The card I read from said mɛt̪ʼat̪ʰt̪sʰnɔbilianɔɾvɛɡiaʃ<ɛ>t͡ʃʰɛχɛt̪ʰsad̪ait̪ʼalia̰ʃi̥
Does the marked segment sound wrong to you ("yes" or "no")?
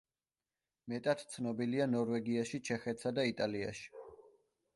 yes